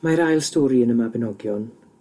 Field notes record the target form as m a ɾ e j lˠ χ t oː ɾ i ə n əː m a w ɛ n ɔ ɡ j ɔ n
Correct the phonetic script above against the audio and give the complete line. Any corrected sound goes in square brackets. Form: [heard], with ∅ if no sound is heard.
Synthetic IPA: m a ɾ [a] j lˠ [s] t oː ɾ i ə n [ə] m a [b] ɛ n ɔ ɡ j ɔ n